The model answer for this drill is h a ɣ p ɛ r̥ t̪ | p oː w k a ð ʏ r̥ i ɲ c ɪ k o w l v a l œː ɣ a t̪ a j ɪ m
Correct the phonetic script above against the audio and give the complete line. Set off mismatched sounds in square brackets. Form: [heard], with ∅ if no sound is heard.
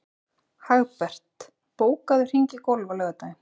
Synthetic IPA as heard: h a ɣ p ɛ r̥ t̪ | p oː w k a ð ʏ r̥ i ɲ c ɪ k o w l v a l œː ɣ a t̪ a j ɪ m